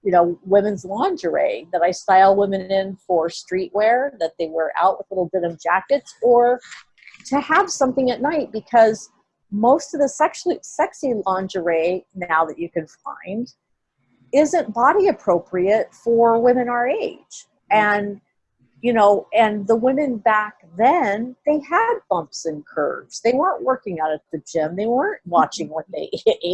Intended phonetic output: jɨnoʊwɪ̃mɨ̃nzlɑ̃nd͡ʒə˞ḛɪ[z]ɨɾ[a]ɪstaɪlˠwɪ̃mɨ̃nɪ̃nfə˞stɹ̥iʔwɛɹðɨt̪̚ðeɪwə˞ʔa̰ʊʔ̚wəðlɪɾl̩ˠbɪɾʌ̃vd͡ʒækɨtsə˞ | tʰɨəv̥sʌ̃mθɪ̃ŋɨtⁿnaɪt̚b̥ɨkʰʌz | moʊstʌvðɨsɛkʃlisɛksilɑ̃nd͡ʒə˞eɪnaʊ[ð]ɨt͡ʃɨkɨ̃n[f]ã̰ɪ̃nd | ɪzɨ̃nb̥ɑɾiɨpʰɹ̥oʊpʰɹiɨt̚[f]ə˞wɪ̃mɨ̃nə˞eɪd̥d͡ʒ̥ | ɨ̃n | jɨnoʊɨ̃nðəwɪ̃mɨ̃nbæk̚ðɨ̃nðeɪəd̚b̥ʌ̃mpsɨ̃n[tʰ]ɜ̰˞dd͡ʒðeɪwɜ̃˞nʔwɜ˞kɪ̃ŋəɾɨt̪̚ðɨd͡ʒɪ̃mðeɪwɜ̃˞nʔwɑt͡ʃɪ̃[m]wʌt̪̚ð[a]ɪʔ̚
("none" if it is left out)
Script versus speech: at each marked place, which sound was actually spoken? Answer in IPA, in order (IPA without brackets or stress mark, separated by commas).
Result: ð, a, ð, f, f, kʰ, ŋ, e